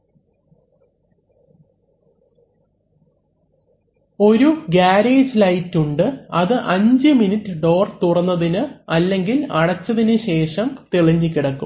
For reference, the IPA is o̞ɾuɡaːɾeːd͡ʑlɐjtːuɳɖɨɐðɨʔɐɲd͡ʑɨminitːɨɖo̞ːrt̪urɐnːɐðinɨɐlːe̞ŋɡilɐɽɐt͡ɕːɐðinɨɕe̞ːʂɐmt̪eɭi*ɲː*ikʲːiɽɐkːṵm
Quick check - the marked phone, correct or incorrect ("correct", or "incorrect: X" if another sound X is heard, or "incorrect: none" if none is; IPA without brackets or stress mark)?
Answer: correct